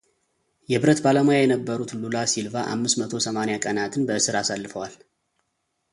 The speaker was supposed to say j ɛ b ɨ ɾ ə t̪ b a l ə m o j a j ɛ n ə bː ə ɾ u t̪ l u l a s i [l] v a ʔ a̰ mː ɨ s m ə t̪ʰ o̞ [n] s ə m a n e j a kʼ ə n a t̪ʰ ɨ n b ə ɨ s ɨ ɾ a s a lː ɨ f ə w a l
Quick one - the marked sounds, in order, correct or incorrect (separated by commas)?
correct, incorrect